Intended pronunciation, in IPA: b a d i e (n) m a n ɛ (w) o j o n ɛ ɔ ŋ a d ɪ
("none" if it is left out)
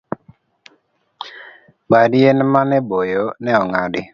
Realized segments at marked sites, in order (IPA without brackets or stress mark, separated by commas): n, b